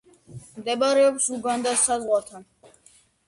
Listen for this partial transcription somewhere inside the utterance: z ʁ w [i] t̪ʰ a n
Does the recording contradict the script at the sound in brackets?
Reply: yes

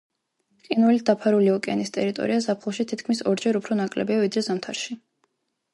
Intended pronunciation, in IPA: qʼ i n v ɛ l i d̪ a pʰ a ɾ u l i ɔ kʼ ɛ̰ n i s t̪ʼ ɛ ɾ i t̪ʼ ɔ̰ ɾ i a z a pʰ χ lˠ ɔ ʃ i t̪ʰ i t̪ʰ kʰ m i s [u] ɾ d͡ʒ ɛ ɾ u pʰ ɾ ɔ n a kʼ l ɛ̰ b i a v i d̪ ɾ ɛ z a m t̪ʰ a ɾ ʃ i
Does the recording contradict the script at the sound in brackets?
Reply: yes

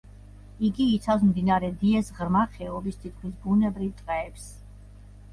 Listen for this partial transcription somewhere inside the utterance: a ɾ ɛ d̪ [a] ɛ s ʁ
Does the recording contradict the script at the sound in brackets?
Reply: yes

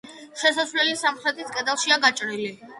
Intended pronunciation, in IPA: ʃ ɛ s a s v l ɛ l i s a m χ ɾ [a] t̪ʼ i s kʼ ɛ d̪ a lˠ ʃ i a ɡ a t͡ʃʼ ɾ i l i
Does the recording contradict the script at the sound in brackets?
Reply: yes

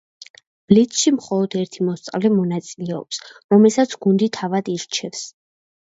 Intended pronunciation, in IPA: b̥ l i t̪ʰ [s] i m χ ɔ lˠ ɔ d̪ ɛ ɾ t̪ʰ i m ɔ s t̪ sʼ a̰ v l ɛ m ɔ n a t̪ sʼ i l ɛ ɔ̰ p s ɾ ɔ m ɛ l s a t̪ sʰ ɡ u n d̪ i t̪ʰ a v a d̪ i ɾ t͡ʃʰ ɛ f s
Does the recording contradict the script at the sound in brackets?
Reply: yes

